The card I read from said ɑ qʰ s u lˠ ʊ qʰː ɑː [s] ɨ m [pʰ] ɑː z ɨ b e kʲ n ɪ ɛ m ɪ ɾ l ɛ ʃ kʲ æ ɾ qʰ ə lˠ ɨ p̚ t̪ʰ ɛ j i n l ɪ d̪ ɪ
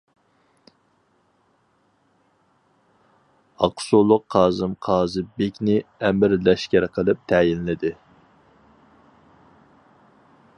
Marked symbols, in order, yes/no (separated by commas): no, no